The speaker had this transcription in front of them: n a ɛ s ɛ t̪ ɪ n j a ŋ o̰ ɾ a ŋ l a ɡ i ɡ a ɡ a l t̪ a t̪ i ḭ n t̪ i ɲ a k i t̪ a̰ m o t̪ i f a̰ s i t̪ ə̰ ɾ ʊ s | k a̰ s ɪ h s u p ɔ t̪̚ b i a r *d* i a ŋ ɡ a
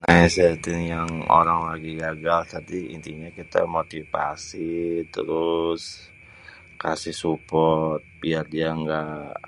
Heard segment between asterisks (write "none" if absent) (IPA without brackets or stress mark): d